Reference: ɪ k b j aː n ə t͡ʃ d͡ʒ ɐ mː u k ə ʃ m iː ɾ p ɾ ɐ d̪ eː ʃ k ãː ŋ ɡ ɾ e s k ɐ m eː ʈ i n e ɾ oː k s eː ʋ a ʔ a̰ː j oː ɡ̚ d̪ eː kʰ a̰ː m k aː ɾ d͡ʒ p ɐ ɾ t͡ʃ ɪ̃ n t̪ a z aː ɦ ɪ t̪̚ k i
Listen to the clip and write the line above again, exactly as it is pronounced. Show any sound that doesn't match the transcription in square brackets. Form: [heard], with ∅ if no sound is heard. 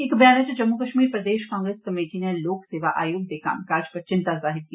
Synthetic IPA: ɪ k b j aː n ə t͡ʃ d͡ʒ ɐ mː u k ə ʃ m iː ɾ p ɾ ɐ d̪ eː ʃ k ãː ŋ ɡ ɾ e s k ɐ m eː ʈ i n e [l] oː k s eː ʋ a ʔ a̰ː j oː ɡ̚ d̪ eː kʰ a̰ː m k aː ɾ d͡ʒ p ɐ ɾ t͡ʃ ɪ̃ n t̪ a z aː ɦ ɪ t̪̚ k i